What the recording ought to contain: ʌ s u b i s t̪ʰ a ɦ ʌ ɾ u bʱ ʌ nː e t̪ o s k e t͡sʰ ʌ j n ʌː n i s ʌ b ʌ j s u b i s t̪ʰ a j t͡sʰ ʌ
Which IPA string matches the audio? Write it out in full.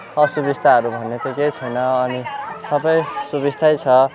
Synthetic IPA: ʌ s u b i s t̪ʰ a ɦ ʌ ɾ u bʱ ʌ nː e t̪ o k e t͡sʰ ʌ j n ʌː n i s ʌ b ʌ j s u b i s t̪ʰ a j t͡sʰ ʌ